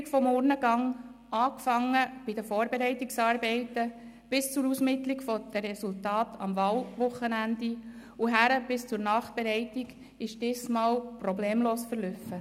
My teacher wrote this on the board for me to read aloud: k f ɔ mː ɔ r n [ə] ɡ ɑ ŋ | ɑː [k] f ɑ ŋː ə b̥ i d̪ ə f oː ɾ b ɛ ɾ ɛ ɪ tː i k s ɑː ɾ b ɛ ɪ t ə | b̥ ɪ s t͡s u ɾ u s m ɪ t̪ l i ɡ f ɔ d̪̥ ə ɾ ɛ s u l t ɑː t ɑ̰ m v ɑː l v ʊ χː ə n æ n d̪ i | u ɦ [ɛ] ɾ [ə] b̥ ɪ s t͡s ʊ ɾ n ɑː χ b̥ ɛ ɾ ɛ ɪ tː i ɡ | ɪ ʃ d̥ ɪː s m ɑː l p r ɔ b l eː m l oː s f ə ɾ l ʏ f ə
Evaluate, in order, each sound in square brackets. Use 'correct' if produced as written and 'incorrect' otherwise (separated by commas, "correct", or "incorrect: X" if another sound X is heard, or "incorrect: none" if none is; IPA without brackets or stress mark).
correct, correct, incorrect: æ, correct